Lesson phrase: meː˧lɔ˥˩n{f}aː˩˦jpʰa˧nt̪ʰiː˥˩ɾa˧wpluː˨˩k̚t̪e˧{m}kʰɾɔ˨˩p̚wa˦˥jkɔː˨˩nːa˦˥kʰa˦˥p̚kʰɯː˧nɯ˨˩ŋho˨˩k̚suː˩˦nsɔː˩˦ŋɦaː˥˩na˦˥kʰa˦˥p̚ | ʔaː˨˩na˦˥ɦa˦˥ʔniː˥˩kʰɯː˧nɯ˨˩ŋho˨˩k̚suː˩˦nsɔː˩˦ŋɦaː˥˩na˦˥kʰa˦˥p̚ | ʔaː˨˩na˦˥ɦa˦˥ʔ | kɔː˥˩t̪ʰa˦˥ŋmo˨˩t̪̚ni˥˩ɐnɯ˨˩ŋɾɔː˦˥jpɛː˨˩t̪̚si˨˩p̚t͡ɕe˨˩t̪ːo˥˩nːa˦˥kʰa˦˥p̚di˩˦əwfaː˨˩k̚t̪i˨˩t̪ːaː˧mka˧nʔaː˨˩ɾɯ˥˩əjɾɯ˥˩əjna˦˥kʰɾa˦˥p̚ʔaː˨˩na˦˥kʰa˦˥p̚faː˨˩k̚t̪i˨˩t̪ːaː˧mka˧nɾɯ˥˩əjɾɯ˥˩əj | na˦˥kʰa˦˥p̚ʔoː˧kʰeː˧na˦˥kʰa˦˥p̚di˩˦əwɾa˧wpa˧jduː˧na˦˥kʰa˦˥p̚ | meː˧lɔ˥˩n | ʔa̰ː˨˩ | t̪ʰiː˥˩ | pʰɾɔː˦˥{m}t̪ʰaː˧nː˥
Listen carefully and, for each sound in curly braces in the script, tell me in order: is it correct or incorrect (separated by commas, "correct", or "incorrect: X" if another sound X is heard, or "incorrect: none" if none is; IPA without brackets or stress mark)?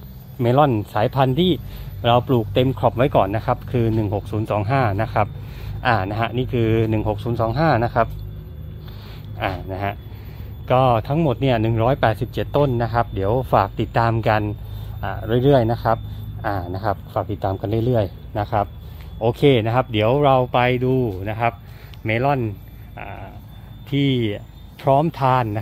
incorrect: s, correct, correct